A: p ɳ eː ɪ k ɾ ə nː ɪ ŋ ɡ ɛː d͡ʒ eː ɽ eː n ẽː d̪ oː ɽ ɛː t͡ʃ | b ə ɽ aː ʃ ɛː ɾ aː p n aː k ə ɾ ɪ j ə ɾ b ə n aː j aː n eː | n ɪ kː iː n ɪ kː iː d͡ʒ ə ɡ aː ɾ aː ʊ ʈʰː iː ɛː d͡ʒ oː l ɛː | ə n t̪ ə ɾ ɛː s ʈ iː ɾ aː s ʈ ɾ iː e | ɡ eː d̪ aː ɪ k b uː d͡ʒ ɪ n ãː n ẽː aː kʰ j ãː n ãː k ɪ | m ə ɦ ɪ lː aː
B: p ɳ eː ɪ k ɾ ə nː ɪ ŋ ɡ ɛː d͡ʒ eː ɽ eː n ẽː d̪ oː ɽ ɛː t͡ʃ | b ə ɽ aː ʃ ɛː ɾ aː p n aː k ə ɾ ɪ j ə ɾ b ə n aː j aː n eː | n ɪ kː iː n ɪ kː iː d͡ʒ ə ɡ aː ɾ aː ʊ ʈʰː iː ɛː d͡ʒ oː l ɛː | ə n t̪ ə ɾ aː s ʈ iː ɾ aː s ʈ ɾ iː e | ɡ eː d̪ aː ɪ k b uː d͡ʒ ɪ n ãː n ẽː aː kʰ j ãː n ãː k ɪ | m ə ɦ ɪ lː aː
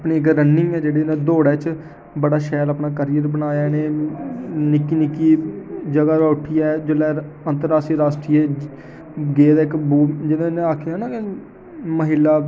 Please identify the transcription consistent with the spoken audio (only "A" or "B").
B